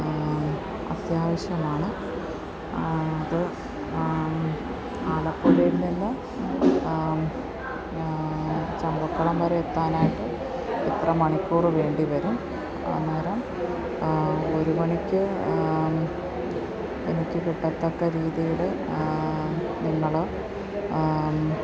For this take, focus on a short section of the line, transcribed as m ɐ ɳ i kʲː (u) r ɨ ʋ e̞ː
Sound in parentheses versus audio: incorrect: uː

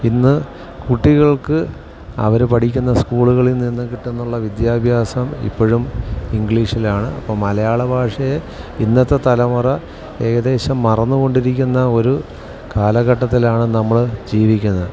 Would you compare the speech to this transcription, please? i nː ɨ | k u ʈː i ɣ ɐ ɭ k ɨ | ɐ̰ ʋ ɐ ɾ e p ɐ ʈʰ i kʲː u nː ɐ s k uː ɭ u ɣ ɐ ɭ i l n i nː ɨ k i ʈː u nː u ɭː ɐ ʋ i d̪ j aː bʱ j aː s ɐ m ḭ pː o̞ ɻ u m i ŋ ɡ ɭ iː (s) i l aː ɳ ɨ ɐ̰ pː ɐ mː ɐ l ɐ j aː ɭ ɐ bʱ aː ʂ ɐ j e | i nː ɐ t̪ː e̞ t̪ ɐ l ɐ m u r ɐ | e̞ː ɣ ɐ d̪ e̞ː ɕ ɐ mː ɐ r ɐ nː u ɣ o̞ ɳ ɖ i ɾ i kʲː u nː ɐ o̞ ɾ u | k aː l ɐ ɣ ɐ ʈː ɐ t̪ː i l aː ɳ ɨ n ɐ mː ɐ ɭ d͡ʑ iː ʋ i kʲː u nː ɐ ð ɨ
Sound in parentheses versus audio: incorrect: ʂ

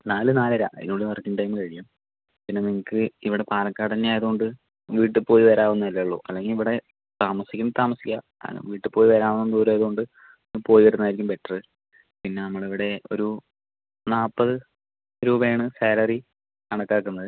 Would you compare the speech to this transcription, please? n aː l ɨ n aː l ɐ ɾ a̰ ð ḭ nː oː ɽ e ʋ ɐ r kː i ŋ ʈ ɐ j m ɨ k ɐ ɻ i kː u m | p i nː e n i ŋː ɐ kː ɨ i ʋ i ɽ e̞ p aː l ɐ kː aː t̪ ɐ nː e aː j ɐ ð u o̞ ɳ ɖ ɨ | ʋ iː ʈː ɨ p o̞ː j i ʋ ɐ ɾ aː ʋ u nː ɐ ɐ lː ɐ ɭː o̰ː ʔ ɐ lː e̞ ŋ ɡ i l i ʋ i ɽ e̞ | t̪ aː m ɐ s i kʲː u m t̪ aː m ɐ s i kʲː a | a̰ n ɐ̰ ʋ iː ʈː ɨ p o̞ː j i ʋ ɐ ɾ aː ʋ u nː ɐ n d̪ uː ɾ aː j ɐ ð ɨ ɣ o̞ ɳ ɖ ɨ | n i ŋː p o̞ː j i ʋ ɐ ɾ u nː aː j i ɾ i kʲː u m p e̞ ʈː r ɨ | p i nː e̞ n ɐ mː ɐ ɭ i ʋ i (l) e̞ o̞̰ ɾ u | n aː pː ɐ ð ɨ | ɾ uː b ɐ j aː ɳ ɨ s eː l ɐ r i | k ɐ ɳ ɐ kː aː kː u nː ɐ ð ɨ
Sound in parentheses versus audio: incorrect: ɽ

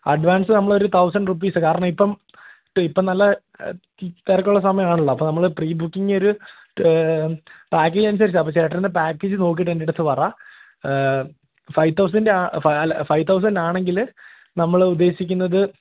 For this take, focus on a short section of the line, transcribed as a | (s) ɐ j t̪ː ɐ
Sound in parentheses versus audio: incorrect: f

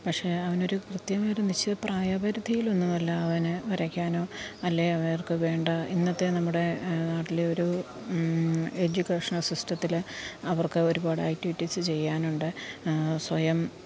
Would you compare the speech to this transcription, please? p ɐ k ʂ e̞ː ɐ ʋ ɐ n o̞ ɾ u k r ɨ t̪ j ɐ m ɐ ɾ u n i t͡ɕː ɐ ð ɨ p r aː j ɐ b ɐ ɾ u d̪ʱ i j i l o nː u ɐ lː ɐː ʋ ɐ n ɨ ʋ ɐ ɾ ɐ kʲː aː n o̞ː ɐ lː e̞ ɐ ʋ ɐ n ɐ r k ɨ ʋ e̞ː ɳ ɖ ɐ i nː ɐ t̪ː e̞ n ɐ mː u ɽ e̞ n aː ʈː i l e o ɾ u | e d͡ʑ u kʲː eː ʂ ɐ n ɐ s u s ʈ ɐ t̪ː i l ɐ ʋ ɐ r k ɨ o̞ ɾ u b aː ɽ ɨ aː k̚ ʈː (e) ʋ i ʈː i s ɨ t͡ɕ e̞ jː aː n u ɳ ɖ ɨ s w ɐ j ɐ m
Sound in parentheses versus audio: incorrect: i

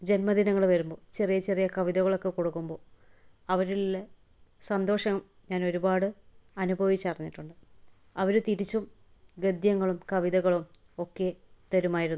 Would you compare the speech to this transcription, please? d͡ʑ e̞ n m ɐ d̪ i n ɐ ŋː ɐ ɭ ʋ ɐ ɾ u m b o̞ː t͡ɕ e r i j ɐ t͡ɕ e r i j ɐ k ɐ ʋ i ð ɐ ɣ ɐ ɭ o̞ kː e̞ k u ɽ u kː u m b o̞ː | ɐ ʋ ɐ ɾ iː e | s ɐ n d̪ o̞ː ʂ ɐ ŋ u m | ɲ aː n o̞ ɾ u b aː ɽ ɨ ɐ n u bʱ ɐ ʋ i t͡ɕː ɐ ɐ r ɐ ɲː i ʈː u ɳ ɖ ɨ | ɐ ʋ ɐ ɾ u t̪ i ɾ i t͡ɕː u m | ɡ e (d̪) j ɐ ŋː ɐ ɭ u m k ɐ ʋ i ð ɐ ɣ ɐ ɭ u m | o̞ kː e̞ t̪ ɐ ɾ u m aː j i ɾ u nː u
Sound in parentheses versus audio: correct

